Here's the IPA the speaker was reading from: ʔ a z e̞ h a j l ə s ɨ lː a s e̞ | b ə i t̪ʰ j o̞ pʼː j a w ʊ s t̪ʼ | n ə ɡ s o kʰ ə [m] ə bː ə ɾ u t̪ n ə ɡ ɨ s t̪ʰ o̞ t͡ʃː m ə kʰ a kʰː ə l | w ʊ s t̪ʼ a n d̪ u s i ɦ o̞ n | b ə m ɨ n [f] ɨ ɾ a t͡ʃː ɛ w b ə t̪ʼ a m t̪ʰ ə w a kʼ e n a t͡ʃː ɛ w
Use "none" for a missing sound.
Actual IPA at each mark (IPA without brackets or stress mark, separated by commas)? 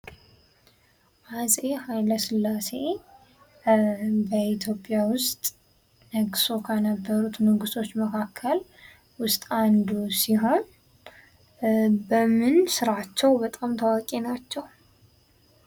n, s